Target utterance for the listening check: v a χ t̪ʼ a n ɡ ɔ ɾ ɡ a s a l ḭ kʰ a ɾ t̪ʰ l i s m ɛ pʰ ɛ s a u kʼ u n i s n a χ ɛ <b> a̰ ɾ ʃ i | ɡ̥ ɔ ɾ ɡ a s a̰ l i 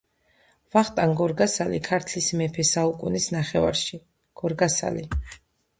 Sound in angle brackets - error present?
yes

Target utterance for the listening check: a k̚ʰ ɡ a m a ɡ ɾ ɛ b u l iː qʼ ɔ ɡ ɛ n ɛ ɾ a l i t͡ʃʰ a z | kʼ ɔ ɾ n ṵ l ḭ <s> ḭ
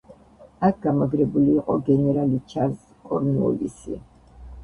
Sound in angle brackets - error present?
no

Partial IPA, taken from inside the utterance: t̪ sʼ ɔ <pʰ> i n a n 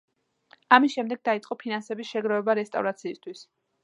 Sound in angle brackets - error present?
no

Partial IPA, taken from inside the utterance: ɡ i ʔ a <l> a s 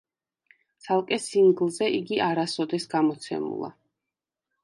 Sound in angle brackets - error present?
yes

